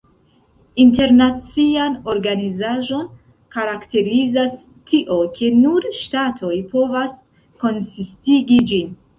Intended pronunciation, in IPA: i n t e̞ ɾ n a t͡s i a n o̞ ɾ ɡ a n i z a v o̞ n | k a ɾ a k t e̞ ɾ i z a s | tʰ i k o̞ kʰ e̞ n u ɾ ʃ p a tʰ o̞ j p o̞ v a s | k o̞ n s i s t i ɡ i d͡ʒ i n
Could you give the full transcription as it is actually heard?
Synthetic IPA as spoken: i n t e̞ ɾ n a t͡s i a n o̞ ɾ ɡ a n i z a ʒ o̞ n | k a ɾ a k t e̞ ɾ i z a s | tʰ i ʔ o̞ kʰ e̞ n u ɾ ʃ t a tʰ o̞ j p o̞ v a s | k o̞ n s i s t i ɡ i d͡ʒ i n